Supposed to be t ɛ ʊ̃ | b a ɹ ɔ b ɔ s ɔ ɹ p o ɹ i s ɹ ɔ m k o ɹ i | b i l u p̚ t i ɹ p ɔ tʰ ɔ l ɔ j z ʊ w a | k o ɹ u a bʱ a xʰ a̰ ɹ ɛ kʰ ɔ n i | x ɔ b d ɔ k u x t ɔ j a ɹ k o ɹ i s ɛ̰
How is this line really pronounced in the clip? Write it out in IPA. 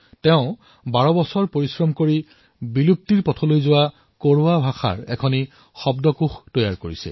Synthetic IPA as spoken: t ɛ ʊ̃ | b a ɹ ɔ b ɔ s ɔ ɹ p o ɹ i s ɹ ɔ m k o ɹ i | b i l u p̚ t i ɹ p ɔ tʰ ɔ l o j z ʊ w a | k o ɹ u a bʱ a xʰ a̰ ɹ ɛ kʰ ɔ n i | x ɔ b d ɔ k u x t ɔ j a ɹ k o ɹ i s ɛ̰